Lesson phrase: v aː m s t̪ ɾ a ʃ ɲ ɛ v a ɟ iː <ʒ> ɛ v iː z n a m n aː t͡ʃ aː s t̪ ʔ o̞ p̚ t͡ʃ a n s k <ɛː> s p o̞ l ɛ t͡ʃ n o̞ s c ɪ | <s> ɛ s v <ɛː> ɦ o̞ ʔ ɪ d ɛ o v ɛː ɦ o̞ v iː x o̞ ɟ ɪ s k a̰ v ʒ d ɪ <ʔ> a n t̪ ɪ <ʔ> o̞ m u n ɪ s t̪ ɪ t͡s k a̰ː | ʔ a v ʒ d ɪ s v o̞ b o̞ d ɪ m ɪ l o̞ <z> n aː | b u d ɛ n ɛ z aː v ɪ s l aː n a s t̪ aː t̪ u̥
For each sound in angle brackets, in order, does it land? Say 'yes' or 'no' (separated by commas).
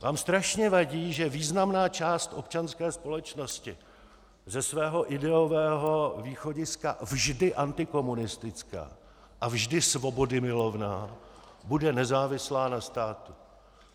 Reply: yes, yes, no, yes, yes, no, no